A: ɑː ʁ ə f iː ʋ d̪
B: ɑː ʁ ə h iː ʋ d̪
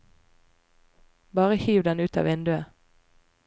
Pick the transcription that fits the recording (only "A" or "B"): B